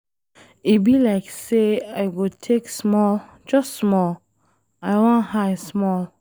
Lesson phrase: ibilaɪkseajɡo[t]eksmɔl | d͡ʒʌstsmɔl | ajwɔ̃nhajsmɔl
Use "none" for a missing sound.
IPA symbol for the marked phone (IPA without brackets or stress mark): tʰ